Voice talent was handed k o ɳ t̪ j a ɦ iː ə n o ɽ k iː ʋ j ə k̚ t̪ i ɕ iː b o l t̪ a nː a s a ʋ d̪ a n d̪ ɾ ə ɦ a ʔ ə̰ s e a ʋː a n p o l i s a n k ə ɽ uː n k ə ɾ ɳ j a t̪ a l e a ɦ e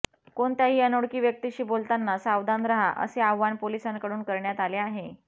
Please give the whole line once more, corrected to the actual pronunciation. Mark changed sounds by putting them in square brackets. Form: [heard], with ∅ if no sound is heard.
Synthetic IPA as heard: k o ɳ t̪ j a ɦ iː ə n o ɽ k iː ʋ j ə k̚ t̪ i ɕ iː b o l t̪ a nː a s a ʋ d̪ a n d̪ ɾ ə ɦ a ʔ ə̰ s e a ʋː a n p o l i s a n k ə ɽ uː n k ə ɾ ɳ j a t̪ a l e a ɦ e